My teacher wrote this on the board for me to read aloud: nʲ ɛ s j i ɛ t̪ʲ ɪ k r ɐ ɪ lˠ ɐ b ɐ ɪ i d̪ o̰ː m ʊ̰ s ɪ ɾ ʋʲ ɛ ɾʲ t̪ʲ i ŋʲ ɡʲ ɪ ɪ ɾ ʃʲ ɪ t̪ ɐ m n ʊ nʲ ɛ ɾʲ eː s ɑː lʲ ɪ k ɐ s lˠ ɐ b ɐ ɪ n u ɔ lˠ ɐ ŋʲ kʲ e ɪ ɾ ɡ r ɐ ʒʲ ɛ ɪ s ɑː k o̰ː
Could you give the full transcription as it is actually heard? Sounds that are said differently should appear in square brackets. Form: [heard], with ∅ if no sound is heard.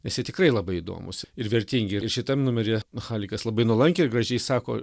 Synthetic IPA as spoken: nʲ ɛ s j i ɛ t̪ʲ ɪ k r ɐ ɪ lˠ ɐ b ɐ ɪ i d̪ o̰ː m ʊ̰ s ɪ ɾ ʋʲ ɛ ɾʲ t̪ʲ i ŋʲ ɡʲ ɪ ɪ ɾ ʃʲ ɪ t̪ ɐ m n ʊ [mʲ] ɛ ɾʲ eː [x] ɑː lʲ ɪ k ɐ s lˠ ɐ b ɐ ɪ n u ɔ lˠ ɐ ŋʲ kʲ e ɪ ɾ ɡ r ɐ ʒʲ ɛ ɪ s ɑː k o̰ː